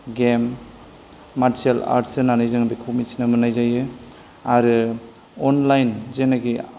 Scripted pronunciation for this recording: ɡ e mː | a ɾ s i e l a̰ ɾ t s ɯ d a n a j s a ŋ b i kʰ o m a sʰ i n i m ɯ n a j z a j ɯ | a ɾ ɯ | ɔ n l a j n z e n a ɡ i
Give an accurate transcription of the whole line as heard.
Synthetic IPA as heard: ɡ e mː | a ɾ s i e l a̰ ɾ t s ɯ n a n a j z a ŋ b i kʰ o m i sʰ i n a m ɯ n a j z a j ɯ | a ɾ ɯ | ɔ n l a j n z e n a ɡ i